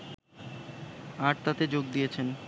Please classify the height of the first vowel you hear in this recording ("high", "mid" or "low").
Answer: low